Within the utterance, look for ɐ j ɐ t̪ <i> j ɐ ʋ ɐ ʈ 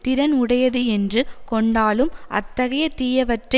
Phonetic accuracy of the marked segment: incorrect: iː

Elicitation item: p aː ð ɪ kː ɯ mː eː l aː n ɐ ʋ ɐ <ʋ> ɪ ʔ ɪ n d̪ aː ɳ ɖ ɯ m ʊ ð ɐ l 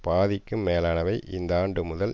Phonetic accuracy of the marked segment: incorrect: none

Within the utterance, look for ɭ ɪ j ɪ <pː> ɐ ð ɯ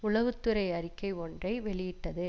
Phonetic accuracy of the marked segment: incorrect: ʈː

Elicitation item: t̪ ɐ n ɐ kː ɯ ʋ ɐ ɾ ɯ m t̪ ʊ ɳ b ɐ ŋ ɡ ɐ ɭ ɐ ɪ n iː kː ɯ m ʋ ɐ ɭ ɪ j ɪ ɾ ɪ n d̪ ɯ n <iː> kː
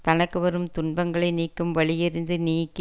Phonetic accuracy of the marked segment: correct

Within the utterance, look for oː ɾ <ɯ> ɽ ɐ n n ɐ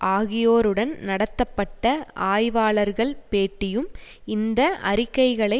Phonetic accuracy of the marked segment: correct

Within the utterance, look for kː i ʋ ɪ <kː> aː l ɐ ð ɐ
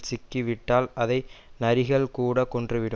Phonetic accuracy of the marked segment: incorrect: ʈː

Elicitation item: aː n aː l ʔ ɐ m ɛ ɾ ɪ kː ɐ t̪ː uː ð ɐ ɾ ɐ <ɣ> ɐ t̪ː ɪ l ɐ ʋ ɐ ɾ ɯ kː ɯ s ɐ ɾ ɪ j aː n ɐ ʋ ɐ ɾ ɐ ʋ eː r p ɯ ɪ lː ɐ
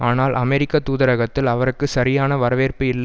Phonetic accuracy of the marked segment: correct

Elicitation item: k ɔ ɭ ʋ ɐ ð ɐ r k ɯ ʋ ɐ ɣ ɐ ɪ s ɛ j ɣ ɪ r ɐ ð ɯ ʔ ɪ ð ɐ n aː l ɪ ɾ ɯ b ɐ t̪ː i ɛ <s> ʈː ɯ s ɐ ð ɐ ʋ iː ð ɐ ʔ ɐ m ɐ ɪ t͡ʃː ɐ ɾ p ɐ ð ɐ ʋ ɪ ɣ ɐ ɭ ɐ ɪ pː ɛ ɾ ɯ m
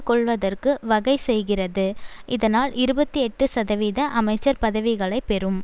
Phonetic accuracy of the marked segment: incorrect: none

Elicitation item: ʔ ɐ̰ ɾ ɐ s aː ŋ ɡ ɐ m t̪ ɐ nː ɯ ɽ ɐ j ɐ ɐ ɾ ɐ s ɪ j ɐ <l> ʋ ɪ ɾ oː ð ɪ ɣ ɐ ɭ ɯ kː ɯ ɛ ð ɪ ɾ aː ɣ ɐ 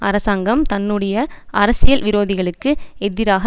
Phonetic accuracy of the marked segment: correct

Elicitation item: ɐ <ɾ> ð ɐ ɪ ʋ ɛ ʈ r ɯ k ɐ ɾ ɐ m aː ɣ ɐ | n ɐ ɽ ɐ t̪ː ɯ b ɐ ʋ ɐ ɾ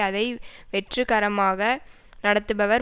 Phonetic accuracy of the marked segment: incorrect: none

